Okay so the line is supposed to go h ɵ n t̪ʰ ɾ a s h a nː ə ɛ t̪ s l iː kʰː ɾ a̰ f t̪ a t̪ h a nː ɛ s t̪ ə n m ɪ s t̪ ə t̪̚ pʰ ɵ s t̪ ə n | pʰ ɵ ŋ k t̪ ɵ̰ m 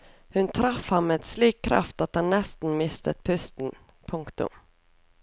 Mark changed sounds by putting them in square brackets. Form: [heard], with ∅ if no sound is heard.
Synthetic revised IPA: h ɵ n t̪ʰ ɾ a [f] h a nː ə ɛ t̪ s l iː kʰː ɾ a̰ f t̪ a t̪ h a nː ɛ s t̪ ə n m ɪ s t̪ ə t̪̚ pʰ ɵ s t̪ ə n | pʰ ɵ ŋ k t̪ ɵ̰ m